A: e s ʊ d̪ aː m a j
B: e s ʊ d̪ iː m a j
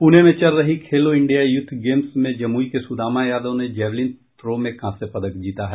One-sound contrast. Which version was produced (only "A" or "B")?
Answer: A